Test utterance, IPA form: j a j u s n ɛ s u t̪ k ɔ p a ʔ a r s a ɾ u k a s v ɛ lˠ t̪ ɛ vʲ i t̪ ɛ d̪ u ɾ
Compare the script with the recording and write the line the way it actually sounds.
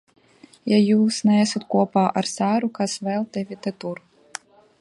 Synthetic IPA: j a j u s n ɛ s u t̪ k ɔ p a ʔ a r s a ɾ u k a s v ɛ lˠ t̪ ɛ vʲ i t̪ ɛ t̪ u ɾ